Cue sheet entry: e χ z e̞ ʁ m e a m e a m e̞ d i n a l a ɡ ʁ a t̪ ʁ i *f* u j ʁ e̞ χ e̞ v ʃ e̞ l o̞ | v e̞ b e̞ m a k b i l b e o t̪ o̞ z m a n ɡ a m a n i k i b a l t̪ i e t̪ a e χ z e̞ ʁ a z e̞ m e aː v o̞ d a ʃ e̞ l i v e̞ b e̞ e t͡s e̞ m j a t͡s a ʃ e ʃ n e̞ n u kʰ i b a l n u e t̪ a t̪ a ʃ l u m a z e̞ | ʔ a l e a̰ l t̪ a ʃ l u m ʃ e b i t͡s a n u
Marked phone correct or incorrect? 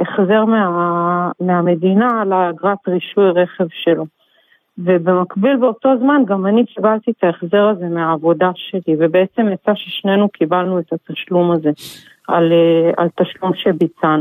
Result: incorrect